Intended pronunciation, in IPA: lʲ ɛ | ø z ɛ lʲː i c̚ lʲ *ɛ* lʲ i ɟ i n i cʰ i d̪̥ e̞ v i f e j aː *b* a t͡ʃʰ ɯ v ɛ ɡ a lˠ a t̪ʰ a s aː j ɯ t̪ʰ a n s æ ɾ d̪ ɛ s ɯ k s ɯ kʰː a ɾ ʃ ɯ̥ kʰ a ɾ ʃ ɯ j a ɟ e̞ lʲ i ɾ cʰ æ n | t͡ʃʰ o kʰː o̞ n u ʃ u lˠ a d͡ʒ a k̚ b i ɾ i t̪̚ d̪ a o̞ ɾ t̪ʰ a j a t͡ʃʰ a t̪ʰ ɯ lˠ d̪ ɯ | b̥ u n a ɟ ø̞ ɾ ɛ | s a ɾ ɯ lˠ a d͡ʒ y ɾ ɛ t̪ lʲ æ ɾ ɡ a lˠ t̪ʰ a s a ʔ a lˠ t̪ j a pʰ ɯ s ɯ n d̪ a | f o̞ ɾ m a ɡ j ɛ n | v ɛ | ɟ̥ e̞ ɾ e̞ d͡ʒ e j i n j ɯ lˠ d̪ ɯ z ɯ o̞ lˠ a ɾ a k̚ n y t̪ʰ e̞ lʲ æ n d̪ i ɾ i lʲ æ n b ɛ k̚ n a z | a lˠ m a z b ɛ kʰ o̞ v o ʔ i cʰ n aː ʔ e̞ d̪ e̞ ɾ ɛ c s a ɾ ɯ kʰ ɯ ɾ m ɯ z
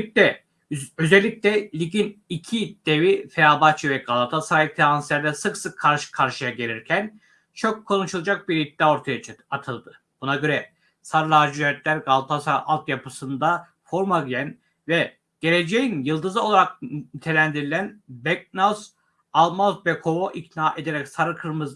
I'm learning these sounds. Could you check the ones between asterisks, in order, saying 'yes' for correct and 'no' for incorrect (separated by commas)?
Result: yes, yes